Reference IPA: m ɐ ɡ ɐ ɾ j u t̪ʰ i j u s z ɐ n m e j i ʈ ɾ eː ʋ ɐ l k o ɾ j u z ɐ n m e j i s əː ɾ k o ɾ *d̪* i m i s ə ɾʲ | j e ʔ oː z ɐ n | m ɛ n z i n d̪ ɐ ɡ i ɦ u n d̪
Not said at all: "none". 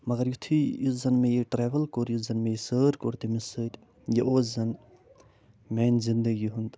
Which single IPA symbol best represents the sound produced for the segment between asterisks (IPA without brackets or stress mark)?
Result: t̪